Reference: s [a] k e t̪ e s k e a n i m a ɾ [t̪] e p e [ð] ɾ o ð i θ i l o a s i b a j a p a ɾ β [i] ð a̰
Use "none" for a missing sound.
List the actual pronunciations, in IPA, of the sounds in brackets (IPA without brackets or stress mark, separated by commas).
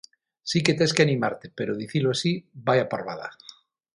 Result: i, t̪, none, a